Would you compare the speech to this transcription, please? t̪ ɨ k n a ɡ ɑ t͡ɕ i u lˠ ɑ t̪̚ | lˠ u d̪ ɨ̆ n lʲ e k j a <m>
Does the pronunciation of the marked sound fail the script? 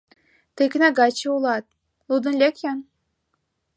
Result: yes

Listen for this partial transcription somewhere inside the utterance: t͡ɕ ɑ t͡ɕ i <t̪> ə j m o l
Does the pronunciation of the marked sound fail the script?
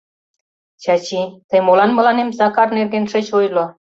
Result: no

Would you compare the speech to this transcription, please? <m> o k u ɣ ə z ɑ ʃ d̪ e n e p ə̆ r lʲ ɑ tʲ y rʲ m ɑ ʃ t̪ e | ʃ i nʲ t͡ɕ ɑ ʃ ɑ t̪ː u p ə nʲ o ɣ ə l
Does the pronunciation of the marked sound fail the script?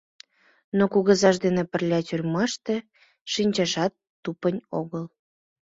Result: yes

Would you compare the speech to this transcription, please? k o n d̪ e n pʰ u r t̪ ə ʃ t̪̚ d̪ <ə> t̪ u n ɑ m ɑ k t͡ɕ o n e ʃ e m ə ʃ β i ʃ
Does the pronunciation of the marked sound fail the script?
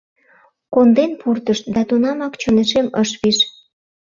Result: yes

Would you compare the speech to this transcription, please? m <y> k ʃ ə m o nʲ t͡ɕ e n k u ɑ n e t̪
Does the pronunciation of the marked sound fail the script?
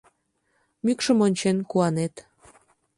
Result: no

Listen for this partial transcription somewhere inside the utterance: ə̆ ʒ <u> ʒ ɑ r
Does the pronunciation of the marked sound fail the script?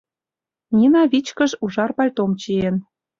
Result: no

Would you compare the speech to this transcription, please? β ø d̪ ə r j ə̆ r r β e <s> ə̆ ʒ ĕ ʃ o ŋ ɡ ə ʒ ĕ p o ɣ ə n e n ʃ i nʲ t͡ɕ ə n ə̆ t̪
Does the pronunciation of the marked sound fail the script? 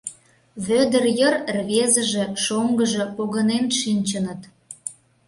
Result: yes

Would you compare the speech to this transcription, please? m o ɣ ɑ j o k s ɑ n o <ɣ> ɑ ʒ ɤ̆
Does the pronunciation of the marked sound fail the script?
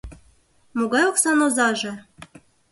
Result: yes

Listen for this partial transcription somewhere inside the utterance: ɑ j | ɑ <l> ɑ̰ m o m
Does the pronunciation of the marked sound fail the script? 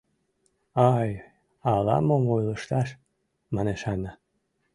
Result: no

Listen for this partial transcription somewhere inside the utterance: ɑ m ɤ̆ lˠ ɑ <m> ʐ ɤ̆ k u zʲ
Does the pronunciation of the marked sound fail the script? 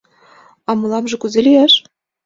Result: no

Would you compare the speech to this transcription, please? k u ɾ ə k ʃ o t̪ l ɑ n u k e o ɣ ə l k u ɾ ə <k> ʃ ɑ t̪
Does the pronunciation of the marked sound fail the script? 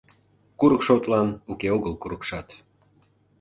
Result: no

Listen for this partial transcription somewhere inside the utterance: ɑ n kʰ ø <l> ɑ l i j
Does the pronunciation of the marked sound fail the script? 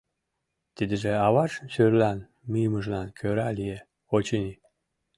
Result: yes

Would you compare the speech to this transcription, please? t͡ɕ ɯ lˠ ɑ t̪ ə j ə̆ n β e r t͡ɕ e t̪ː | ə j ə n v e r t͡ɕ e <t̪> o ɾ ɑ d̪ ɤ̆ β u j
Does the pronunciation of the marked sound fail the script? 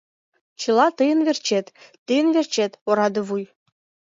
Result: no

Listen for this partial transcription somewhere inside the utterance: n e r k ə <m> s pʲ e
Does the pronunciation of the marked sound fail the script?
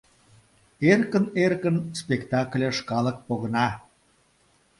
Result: yes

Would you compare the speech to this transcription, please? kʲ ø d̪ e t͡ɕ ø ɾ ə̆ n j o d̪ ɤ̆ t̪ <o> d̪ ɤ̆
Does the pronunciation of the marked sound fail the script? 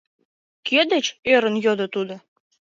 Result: yes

